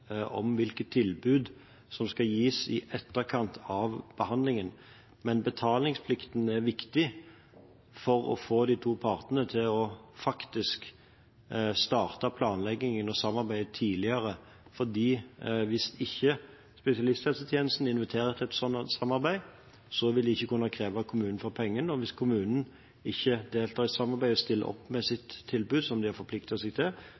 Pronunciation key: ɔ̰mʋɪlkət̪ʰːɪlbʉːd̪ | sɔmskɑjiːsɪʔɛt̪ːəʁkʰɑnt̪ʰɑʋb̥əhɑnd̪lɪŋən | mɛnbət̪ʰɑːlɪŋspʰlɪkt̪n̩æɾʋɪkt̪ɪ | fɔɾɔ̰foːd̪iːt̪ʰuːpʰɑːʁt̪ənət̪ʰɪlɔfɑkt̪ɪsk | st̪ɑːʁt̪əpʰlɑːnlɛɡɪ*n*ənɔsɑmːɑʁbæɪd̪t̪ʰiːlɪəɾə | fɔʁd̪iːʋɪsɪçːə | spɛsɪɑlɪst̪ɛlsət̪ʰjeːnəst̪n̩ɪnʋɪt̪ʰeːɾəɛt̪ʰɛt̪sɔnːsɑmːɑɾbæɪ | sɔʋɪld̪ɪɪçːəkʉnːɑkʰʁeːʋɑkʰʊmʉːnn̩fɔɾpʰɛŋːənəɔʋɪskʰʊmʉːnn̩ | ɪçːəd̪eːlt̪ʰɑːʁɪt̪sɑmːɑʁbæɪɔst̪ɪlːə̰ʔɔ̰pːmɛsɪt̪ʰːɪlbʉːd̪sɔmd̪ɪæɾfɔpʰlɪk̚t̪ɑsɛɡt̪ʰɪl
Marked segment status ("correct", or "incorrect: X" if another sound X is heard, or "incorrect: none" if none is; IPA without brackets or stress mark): incorrect: ŋ